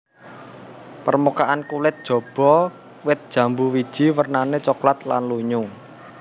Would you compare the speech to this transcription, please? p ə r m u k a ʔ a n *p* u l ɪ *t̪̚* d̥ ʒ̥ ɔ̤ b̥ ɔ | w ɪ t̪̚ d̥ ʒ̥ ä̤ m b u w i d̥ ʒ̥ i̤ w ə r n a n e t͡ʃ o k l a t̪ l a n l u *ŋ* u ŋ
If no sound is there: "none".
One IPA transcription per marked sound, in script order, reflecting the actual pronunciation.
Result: k, t̪̚, ɲ

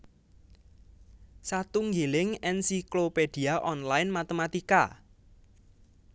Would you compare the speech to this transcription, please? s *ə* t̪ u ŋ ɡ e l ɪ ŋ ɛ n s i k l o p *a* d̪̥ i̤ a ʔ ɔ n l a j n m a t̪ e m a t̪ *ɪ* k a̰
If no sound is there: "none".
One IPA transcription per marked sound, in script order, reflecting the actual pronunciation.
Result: a, e, i

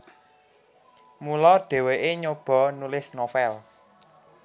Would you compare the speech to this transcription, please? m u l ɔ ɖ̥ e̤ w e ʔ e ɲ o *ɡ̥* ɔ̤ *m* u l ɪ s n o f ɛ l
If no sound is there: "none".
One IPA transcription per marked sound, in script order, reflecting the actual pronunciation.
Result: b̥, n

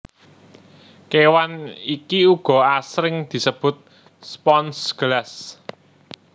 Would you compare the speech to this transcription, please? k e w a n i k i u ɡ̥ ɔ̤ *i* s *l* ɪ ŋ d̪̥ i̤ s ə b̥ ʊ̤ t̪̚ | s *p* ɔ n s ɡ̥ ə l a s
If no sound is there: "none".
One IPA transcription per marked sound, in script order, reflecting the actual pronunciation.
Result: a, ɾ, p

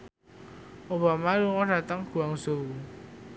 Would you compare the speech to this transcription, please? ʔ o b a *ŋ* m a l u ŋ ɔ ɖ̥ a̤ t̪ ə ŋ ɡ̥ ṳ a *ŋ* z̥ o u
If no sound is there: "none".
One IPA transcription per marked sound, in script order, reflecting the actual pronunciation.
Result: none, ŋ

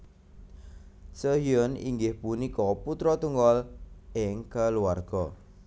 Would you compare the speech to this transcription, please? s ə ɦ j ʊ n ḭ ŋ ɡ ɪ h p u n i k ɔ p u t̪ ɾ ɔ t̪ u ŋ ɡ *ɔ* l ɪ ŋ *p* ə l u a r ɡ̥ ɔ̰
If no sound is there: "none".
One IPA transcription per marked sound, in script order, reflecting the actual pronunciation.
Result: ɔ, k

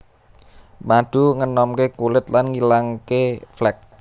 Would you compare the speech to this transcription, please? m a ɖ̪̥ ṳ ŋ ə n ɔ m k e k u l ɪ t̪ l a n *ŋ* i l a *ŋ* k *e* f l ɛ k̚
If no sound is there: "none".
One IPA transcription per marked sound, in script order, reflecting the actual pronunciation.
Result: ŋ, ŋ, e

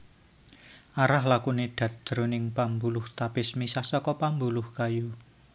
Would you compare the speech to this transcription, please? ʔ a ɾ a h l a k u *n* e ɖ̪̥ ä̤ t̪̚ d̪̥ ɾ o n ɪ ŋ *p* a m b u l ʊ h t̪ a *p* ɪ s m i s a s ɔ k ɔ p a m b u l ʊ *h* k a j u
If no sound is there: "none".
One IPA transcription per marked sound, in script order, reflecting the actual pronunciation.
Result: n, p, p, h

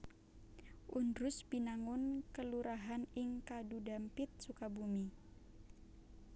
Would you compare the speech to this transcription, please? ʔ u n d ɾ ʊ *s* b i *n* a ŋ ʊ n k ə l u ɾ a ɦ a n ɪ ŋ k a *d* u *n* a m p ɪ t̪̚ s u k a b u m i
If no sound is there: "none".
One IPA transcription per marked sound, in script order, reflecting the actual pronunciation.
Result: s, n, d, d

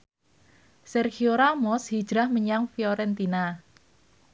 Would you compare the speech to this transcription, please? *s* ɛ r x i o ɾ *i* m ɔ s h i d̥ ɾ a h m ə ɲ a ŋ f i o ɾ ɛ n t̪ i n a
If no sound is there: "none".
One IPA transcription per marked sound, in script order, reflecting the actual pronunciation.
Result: s, a

